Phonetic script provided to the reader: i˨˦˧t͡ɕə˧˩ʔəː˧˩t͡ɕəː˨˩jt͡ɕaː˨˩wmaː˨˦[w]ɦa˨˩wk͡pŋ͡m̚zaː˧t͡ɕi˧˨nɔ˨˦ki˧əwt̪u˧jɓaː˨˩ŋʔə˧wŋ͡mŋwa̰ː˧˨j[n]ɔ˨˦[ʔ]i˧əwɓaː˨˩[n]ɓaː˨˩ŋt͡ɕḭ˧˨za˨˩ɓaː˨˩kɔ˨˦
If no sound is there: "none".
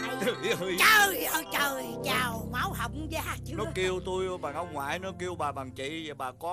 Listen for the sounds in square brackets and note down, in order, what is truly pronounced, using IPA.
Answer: w, n, k, none

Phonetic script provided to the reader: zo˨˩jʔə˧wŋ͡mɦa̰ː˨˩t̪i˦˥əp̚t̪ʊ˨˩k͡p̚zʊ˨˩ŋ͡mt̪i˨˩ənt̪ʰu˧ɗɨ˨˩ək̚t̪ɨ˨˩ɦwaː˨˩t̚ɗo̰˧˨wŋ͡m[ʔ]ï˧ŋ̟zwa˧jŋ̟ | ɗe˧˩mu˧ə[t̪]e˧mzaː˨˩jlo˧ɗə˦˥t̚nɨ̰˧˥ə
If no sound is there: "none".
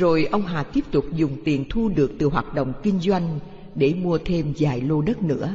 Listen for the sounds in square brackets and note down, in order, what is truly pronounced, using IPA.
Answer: k, t̪ʰ

